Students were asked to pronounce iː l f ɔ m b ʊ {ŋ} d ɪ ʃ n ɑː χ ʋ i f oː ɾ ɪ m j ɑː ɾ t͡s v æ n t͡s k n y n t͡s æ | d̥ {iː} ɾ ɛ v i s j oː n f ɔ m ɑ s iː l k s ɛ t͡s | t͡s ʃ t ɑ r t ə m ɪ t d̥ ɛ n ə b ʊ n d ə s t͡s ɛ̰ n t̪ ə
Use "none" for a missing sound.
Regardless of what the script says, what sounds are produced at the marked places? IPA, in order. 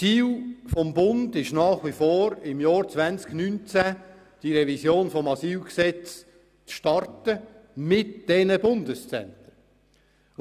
n, i

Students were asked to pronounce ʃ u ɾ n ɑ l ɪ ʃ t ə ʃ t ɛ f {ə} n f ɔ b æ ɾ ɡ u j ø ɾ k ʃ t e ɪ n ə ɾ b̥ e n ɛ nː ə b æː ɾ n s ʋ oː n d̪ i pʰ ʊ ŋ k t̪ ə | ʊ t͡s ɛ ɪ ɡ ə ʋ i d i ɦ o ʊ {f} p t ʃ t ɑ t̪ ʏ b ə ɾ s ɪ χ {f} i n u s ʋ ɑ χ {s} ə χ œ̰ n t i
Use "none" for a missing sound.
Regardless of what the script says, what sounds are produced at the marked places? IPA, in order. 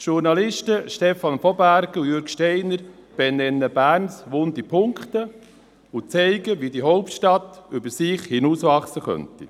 ɑ, none, h, s

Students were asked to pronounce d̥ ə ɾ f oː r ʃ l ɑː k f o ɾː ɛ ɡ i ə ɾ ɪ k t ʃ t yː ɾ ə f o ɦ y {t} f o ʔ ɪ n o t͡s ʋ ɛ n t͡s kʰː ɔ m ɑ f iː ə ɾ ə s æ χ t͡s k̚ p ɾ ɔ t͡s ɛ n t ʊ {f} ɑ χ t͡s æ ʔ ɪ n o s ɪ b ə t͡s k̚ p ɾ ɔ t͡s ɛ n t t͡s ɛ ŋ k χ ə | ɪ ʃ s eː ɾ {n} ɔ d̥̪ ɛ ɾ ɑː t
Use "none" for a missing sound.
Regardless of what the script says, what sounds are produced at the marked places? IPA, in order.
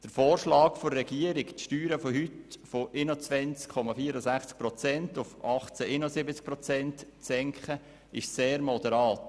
t, f, m

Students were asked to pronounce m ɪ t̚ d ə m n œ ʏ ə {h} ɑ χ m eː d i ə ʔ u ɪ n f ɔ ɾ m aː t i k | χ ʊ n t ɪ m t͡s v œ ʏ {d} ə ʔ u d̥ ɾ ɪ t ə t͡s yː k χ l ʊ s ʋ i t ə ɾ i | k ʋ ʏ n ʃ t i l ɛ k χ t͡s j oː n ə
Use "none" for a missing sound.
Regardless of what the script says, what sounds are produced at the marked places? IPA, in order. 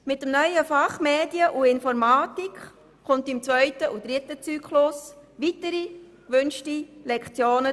f, t

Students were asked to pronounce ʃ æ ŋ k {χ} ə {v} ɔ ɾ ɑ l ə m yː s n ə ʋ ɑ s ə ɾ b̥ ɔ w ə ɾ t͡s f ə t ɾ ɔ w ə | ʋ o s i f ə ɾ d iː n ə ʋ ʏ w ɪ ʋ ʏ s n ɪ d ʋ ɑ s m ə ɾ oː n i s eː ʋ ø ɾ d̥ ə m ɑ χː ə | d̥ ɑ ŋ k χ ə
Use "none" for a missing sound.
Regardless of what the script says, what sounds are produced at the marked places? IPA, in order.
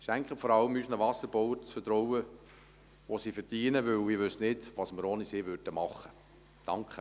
χ, f

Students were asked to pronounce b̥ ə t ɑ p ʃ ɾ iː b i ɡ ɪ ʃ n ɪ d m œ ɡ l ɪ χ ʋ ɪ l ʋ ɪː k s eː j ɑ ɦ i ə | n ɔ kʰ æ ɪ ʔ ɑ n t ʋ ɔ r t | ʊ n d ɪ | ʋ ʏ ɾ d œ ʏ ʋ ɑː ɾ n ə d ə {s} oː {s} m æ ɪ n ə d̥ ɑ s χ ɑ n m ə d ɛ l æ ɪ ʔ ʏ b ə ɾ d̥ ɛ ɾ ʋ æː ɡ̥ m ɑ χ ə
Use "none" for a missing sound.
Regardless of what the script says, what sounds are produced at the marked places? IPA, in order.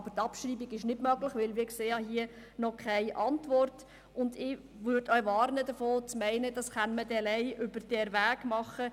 f, t͡s

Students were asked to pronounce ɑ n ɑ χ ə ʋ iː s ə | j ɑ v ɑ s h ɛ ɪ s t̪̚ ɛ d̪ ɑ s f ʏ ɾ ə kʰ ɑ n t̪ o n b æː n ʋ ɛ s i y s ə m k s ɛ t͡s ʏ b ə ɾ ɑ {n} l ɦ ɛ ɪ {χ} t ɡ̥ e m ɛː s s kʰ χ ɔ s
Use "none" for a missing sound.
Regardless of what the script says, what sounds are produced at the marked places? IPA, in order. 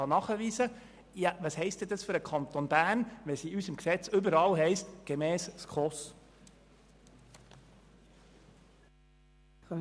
none, s

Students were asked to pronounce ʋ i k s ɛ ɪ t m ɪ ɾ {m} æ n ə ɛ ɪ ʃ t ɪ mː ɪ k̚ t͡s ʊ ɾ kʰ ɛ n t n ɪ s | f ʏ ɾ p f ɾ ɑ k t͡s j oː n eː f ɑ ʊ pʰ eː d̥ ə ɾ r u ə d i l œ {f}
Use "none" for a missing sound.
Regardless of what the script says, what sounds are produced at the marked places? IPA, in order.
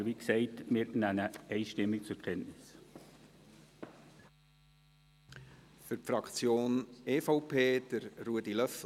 n, f

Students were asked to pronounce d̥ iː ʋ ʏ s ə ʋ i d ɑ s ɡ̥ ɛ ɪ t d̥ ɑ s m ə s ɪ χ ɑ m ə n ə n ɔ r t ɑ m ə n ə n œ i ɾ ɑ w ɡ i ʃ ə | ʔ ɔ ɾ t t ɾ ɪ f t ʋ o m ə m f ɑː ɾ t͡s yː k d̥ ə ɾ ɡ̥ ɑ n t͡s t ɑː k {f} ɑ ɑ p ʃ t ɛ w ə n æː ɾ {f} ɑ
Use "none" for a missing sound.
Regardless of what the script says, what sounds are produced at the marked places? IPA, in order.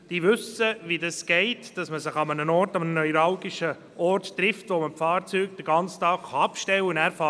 χ, f

